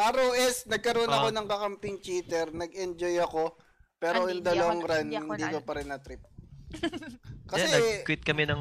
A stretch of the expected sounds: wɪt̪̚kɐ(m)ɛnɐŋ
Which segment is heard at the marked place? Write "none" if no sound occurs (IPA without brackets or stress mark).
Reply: m